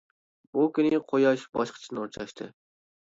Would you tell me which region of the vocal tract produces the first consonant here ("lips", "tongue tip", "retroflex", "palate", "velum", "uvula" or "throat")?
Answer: lips